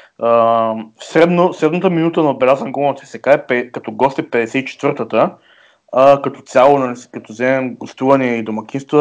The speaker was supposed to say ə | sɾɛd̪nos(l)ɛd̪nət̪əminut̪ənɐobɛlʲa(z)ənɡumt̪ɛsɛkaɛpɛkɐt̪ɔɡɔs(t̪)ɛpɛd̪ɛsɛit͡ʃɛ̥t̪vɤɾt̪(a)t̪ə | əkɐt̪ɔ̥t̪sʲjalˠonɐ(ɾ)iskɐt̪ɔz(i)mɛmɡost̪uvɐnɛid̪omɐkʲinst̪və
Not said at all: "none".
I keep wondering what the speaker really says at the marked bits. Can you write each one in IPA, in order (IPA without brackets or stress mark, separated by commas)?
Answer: ɾ, z, t̪, ə, l, ɛ